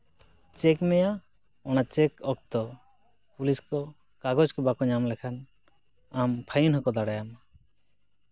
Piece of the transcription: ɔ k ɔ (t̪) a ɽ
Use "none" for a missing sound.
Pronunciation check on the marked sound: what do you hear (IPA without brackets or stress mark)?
d̪